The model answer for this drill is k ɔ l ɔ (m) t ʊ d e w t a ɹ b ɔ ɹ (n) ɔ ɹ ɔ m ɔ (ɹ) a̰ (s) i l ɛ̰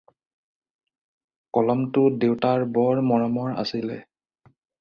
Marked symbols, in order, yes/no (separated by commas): yes, no, yes, yes